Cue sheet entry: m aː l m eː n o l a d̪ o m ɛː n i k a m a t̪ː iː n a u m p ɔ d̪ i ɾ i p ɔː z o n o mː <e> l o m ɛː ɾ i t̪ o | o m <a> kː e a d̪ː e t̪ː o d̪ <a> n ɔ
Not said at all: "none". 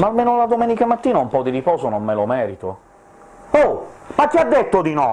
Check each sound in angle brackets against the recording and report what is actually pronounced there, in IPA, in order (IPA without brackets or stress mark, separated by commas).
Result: e, a, i